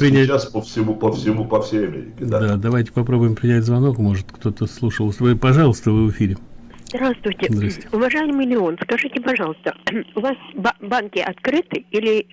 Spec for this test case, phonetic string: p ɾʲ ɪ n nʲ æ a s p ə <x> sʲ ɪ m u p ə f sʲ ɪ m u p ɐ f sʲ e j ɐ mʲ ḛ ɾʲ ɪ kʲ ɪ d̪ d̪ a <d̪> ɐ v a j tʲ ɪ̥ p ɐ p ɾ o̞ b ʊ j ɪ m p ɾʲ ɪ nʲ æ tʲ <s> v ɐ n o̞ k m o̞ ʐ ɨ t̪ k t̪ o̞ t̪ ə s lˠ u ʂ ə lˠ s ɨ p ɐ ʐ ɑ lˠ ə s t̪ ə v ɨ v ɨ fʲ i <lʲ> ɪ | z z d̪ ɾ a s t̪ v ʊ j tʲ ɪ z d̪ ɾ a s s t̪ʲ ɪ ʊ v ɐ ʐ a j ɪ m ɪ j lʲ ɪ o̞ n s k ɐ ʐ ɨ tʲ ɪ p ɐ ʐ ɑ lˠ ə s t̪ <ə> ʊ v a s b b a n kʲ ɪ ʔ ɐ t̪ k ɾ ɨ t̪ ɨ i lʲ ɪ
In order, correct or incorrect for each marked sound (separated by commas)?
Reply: incorrect, correct, incorrect, incorrect, correct